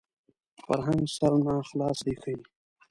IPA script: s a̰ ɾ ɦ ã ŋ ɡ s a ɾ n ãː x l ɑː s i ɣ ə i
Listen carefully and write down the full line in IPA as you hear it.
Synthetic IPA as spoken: f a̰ ɾ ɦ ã ŋ ɡ s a ɾ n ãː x l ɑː s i x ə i